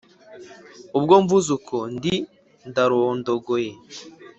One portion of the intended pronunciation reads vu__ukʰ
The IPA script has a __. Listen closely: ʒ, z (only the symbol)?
z